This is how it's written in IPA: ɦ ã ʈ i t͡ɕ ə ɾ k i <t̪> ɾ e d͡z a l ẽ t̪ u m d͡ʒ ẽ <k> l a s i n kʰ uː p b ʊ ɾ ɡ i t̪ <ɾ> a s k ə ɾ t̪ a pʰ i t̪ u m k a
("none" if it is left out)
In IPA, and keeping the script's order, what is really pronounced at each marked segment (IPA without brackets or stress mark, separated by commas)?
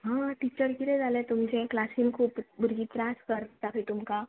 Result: none, k, ɾ